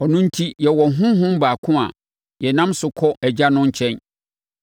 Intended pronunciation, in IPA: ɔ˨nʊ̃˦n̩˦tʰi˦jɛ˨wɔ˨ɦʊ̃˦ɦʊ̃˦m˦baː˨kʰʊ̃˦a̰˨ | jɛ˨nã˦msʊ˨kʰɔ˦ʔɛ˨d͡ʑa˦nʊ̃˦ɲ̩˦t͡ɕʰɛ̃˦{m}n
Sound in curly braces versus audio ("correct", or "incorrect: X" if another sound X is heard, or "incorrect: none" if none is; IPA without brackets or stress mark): incorrect: none